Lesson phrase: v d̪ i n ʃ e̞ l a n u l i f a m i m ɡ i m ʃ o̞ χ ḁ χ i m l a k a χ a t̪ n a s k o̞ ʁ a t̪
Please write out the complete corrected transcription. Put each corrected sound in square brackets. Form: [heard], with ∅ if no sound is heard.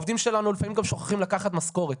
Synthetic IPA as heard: v d̪ i [m] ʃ e̞ l a n u l i f a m i m ɡ [a] m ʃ o̞ χ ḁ χ i m l a k a χ a t̪ [m] a s k o̞ ʁ [e] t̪